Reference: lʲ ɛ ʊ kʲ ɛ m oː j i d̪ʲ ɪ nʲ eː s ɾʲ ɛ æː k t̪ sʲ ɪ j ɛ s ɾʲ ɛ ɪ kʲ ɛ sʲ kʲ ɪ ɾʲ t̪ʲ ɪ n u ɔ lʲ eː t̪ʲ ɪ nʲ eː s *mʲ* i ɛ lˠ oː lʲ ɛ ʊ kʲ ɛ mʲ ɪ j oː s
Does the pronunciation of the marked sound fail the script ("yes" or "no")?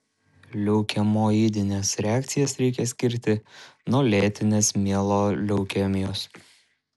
no